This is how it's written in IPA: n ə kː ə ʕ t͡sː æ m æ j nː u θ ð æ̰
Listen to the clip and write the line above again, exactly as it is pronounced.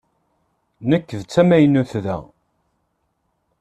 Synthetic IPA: n ə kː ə ð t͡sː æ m æ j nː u θ ð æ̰